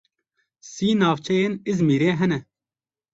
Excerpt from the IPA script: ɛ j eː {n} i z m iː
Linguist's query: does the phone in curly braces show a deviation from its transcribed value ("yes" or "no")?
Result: no